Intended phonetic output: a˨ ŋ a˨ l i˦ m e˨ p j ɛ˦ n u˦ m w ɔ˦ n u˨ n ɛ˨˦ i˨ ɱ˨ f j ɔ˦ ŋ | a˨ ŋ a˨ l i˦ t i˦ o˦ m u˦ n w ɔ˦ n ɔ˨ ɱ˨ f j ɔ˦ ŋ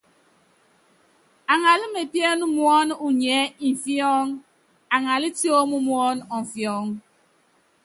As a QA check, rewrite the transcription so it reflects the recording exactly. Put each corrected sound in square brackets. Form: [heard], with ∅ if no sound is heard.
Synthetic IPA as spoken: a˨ ŋ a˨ l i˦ m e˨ p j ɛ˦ n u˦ m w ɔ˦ n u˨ [ɲ] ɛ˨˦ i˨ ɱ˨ f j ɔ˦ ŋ | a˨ ŋ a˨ l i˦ t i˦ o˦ m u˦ [m] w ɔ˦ n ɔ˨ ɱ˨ f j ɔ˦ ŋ